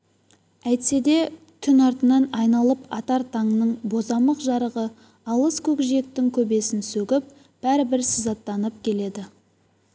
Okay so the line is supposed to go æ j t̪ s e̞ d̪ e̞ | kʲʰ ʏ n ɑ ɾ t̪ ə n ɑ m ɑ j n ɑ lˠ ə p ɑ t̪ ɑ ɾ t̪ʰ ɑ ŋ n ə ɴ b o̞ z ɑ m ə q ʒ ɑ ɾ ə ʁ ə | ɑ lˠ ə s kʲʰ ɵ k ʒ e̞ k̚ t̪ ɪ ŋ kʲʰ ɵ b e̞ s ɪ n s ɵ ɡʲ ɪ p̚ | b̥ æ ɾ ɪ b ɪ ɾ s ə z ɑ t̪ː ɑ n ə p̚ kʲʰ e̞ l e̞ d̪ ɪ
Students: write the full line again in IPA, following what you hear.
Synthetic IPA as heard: æ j t̪ s e̞ d̪ e̞ | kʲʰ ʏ n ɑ ɾ t̪ ə n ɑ n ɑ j n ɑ lˠ ə p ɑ t̪ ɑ ɾ t̪ʰ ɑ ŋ n ə ɴ b o̞ z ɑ m ə q ʒ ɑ ɾ ə ʁ ə | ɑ lˠ ə s kʲʰ ɵ k ʒ e̞ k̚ t̪ ɪ ŋ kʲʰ ɵ b e̞ s ɪ n s ɵ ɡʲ ɪ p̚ | b̥ æ ɾ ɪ b ɪ ɾ s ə z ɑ t̪ː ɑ n ə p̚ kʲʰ e̞ l e̞ d̪ ɪ